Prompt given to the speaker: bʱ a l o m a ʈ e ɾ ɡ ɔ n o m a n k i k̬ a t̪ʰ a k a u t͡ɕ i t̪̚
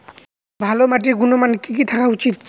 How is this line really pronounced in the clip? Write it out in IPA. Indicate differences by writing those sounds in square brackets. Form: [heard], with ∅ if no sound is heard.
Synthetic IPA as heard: bʱ a l o m a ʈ [i] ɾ ɡ [u] n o m a n k i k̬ [i] t̪ʰ a k a u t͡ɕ i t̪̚